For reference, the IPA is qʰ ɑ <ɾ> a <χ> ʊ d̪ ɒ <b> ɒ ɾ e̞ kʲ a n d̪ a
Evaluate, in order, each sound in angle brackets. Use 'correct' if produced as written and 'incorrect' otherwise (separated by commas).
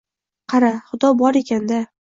correct, correct, correct